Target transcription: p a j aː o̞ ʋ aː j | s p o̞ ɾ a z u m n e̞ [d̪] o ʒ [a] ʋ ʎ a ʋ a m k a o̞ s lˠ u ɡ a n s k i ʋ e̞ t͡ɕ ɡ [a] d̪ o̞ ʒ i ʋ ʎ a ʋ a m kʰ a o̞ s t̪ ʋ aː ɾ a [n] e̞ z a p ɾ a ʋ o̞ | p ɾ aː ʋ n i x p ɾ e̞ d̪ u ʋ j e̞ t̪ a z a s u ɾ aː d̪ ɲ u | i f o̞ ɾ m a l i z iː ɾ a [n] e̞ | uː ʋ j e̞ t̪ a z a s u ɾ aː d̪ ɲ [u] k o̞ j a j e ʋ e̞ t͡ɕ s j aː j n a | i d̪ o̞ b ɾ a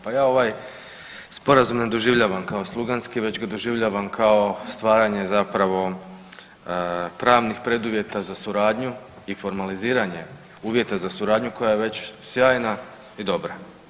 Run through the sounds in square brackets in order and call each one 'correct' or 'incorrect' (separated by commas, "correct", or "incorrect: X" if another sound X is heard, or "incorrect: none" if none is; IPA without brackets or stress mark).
correct, incorrect: i, correct, incorrect: ɲ, incorrect: ɲ, correct